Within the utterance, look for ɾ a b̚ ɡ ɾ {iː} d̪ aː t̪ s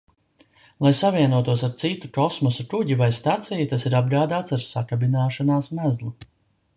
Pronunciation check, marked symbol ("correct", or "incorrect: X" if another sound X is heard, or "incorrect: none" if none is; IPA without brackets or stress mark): incorrect: aː